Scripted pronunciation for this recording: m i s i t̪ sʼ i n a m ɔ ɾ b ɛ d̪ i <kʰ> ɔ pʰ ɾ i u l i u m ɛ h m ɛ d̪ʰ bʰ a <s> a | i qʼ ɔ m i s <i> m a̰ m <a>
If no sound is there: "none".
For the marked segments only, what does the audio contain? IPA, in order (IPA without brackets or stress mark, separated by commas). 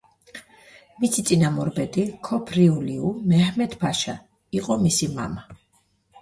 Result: kʰ, ʃ, i, a